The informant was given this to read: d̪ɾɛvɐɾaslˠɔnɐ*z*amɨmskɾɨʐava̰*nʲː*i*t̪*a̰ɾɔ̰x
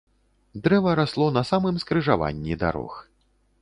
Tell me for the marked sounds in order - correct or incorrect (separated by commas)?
incorrect, correct, incorrect